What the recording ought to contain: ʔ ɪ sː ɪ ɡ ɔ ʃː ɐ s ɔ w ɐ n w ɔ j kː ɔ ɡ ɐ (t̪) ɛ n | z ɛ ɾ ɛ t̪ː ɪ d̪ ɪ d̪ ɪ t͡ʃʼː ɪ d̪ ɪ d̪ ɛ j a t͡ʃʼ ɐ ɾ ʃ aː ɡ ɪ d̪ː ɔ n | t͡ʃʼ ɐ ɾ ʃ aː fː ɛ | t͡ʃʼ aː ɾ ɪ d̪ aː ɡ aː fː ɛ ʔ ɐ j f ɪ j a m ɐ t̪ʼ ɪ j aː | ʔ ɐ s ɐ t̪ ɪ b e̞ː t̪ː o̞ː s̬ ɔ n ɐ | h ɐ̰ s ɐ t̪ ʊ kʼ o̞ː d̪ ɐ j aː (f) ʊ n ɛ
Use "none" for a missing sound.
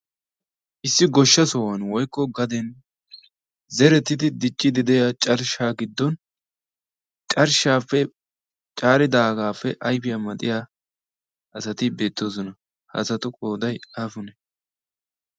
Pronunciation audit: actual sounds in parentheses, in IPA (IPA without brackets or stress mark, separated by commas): d̪, f